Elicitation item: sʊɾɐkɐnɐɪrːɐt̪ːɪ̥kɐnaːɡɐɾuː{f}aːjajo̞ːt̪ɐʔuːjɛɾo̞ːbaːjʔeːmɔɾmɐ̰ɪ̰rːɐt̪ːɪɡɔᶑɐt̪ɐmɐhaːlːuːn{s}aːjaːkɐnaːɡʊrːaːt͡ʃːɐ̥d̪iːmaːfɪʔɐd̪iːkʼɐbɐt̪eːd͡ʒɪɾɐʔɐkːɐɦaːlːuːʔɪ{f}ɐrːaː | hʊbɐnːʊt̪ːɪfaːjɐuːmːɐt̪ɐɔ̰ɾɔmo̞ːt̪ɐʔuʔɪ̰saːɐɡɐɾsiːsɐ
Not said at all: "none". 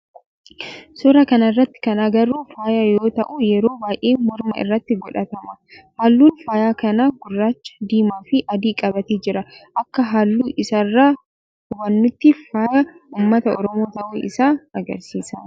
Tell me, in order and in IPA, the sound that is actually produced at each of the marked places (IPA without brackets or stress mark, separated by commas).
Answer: f, f, s